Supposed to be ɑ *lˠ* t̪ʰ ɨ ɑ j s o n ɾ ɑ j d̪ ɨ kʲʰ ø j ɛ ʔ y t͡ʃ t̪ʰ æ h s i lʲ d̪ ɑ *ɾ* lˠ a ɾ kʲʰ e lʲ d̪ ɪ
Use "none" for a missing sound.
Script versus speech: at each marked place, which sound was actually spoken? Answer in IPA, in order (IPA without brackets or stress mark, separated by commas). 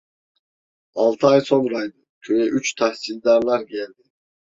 lˠ, ɾ